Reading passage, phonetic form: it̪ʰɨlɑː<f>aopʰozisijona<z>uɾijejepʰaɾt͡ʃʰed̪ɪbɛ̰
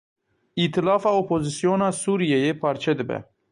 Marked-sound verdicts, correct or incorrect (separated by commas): correct, incorrect